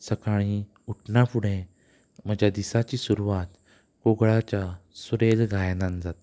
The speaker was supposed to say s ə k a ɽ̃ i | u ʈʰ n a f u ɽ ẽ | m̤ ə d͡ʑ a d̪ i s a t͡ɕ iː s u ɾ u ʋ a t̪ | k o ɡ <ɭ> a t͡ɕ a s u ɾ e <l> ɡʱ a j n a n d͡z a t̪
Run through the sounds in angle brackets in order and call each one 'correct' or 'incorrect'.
correct, correct

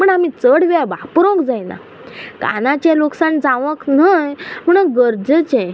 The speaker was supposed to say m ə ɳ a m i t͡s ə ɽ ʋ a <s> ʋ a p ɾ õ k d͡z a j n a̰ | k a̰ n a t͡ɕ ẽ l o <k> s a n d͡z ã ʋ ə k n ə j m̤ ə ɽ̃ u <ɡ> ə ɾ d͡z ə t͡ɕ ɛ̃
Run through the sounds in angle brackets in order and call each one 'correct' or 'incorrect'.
incorrect, correct, correct

